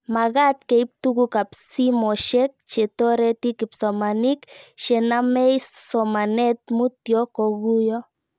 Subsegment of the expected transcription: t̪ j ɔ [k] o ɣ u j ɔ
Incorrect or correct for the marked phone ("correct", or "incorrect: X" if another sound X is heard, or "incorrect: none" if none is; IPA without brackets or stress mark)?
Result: correct